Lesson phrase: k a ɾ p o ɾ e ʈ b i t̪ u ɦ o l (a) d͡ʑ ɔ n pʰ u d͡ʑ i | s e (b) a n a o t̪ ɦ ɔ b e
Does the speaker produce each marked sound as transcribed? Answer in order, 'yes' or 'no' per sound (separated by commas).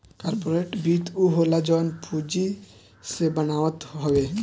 yes, yes